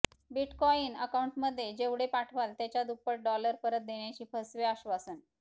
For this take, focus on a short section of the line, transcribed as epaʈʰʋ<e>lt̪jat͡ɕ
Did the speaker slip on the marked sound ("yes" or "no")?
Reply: yes